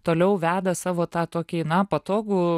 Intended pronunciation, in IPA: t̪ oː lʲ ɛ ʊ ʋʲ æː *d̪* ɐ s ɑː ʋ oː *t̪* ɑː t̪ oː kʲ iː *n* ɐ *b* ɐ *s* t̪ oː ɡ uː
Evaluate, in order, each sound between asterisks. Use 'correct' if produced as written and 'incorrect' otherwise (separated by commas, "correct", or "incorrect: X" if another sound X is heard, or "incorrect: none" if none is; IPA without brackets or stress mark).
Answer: correct, correct, correct, incorrect: p, incorrect: none